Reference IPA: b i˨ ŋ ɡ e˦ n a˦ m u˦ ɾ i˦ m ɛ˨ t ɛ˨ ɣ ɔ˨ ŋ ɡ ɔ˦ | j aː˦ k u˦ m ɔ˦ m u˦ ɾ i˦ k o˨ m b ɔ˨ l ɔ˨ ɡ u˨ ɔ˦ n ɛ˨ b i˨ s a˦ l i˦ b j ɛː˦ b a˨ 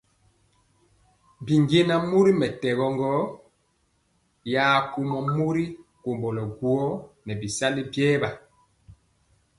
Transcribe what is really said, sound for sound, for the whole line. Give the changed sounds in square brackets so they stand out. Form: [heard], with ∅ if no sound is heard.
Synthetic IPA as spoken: b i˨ ŋ ɡ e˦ n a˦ m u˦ ɾ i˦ m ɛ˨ t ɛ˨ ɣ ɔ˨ ŋ ɡ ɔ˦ | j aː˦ k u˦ m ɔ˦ m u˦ ɾ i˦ k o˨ m b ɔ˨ l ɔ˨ ɡ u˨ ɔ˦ n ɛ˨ b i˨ s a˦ l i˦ b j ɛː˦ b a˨

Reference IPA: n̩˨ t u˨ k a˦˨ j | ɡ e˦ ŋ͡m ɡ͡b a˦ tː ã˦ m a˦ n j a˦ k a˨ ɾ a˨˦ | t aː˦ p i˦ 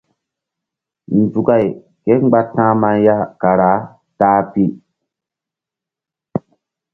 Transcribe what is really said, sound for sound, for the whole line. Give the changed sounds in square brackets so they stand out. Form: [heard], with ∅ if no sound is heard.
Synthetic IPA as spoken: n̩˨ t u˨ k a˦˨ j | [k] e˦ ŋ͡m ɡ͡b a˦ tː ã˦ m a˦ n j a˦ k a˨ ɾ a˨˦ | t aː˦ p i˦

